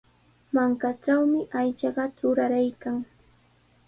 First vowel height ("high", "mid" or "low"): low